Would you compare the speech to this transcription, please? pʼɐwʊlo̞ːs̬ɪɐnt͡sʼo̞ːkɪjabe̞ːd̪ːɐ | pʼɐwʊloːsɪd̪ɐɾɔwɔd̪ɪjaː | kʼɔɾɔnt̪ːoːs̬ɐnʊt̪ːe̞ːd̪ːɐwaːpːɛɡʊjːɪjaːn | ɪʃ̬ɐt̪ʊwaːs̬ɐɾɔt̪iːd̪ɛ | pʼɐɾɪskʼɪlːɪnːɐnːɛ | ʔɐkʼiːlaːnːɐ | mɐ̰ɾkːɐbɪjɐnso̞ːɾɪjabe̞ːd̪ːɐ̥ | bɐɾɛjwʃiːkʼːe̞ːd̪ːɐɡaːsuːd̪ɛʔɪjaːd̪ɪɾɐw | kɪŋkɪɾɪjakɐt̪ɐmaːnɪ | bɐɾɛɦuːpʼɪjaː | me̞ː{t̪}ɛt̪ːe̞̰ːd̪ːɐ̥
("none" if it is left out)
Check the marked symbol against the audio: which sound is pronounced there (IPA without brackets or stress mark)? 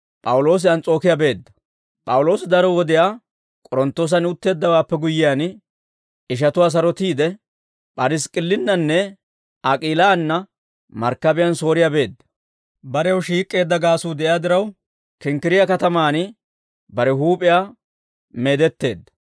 d̪